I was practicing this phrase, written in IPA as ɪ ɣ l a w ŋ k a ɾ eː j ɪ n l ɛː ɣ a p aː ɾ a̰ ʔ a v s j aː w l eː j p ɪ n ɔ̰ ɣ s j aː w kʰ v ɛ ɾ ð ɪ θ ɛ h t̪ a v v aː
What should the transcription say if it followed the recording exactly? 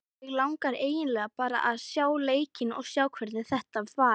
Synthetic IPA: ɪ ɣ l a w ŋ k a ɾ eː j ɪ n l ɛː ɣ a p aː ɾ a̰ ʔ a ð s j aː w l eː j c ɪ n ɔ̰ ɣ s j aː w kʰ v ɛ ɾ ð ɪ θ ɛ h t̪ a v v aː